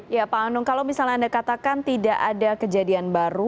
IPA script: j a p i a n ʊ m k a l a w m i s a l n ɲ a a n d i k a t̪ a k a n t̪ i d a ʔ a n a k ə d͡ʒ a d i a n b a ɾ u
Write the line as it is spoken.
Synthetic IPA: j a p a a n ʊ ŋ k a l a w m i s a l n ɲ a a n d a k a t̪ a k a n t̪ i d a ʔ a d a k ə d͡ʒ a d i a n b a ɾ u